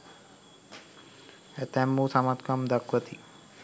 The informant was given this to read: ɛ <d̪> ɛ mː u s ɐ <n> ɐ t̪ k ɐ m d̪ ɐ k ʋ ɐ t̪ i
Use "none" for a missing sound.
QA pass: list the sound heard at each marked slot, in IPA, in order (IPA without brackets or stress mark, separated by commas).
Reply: t̪, m